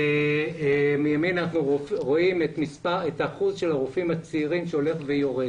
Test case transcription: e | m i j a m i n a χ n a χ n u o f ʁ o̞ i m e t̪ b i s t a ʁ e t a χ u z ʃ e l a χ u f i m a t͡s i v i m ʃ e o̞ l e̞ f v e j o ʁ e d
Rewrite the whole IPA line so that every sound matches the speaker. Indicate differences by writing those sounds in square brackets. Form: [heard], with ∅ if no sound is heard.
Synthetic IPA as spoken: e | m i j a m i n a [∅] n a χ n u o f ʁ o̞ i m e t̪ [m] i s [p] a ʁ e t a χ u z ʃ e l a [ʁ] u f i m a t͡s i [ʁ] i m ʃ e o̞ l e̞ [χ] v e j o ʁ e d